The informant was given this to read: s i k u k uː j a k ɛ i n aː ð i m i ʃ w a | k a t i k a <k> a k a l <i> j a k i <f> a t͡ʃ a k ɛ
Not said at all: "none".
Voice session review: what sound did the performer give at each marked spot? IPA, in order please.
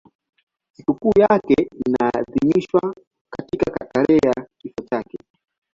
k, ɛ, f

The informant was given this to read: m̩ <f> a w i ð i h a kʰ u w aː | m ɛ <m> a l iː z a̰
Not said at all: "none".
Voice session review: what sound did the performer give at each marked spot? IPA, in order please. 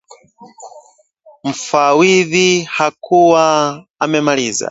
f, m

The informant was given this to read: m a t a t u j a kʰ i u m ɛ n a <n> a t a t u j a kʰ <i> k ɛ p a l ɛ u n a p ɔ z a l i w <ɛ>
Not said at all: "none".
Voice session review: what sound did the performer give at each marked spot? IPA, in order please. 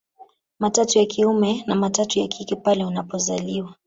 m, i, a

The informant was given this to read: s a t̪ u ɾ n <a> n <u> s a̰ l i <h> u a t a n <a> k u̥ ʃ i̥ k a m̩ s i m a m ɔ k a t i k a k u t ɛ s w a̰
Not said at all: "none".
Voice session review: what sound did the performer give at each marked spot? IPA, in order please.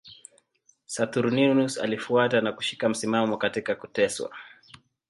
i, u, f, a

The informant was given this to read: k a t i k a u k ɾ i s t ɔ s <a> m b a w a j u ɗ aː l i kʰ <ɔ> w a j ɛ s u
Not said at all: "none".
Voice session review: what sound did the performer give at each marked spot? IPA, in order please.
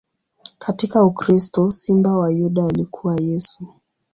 i, u

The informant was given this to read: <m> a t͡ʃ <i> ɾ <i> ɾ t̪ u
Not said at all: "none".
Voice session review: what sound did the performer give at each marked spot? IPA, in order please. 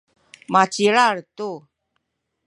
m, i, a

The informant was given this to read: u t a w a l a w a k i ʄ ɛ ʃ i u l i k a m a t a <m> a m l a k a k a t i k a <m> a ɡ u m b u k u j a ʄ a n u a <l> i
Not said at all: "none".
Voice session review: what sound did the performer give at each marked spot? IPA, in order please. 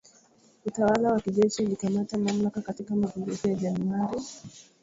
m, m, ɾ

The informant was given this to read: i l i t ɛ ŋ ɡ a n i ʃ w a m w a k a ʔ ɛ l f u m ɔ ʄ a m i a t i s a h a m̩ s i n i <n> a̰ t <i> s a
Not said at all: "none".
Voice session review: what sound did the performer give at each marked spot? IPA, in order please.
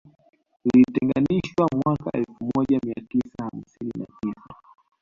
n, i

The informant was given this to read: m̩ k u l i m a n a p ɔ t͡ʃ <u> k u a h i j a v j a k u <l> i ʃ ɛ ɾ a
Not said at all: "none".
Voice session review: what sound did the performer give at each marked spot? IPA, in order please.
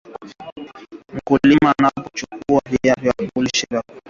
u, l

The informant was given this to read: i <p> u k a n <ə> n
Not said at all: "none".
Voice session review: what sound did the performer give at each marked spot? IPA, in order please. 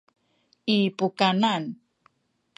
p, a

